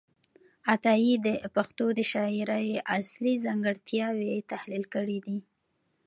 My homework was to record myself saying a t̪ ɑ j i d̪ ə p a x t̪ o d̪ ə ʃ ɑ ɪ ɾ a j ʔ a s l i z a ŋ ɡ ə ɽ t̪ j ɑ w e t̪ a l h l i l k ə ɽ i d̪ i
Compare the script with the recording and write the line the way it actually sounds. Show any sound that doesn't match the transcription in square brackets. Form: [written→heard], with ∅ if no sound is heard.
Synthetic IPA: a t̪ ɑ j i d̪ ə p a x t̪ o d̪ ə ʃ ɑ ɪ ɾ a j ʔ a s l i z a ŋ ɡ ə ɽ t̪ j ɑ w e t̪ a [l→∅] h l i l k ə ɽ i d̪ i